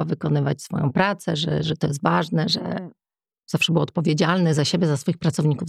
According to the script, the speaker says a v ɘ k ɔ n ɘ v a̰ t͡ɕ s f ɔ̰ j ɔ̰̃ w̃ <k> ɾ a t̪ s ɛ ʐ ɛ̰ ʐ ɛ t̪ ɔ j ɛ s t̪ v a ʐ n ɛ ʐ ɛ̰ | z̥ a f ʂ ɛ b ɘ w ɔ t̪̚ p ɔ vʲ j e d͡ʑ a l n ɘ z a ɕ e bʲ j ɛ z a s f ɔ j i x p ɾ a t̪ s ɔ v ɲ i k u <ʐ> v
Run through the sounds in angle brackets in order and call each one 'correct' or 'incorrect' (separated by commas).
incorrect, incorrect